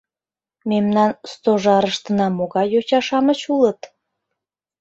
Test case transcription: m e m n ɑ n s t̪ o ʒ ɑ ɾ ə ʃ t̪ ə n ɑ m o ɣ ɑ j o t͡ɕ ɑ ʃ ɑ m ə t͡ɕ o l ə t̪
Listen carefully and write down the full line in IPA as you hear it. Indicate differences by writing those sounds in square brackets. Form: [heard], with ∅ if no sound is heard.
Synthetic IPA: m e m n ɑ n s t̪ o ʒ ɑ ɾ ə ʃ t̪ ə n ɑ m o ɣ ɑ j o t͡ɕ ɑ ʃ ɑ m ə t͡ɕ [u] l ə t̪